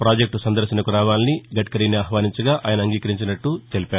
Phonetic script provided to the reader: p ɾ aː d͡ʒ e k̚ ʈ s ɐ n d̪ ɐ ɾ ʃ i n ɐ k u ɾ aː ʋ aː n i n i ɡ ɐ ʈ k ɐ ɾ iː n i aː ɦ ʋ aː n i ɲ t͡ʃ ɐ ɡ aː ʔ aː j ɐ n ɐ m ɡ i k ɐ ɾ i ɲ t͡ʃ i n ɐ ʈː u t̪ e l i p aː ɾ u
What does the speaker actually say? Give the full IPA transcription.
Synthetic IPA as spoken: p ɾ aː d͡ʒ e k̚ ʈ s ɐ n d̪ ɐ ɾ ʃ i n ɐ k u ɾ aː ʋ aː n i n i ɡ ɐ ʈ k ɐ ɾ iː n i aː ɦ ʋ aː n i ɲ t͡ʃ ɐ ɡ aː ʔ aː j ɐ n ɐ ŋ ɡ iː k ɐ ɾ i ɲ t͡ʃ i n ɐ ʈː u t̪ e l i p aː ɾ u